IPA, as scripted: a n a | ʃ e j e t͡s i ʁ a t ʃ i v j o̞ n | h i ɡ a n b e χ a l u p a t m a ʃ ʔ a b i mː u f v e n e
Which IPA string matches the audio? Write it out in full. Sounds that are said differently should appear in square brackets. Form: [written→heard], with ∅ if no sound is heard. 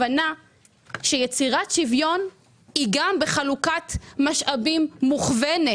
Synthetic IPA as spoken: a n a | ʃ e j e t͡s i ʁ a t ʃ i v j o̞ n | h i ɡ a [n→m] b e χ a l u [p→k] a t m a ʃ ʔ a b i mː u [f→χ] v e n e